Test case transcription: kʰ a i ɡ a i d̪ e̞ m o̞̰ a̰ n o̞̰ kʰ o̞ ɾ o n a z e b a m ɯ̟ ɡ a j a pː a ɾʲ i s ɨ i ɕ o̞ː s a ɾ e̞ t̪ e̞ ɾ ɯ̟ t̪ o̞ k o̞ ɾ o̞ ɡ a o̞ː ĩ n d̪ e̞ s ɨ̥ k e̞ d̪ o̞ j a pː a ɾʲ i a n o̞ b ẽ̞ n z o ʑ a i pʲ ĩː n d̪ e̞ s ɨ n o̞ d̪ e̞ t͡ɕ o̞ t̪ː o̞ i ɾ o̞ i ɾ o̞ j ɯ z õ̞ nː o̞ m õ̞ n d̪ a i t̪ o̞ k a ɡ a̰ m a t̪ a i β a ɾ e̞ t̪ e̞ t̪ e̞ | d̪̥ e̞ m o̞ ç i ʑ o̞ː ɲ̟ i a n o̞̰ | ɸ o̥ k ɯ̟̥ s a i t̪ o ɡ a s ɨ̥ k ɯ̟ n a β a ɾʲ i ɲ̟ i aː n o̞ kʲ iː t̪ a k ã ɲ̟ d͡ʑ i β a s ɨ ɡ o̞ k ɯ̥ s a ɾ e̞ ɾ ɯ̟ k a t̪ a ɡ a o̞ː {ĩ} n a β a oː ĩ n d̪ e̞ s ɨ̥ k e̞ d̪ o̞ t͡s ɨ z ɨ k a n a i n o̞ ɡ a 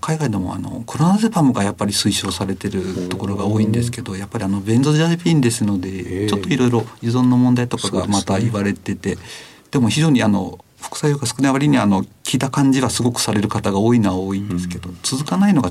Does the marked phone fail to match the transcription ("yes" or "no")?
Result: yes